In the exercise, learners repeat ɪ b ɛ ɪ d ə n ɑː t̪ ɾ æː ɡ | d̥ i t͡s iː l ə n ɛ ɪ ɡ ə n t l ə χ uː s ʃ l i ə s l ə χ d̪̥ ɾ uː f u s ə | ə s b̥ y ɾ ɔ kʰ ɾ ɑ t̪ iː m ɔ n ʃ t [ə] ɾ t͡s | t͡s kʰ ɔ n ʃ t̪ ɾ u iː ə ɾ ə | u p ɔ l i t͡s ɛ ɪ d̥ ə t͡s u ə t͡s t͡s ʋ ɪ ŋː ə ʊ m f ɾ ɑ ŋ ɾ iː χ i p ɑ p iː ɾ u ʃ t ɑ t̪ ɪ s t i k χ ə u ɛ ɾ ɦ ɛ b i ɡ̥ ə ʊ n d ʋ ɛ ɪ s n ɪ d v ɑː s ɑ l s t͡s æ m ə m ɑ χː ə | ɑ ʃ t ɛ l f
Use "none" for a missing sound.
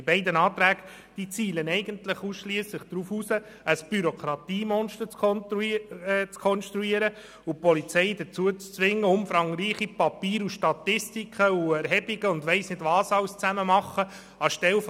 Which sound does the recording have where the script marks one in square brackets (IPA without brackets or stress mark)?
ə